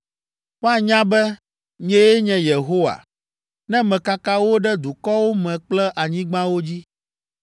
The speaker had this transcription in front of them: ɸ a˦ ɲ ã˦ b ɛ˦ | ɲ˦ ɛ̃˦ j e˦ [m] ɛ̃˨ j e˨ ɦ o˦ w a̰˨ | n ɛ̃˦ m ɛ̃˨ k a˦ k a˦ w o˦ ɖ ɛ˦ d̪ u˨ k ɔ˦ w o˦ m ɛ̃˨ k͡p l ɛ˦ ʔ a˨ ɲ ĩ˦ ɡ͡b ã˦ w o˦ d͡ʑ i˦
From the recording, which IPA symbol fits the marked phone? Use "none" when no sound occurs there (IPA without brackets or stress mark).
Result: ɲ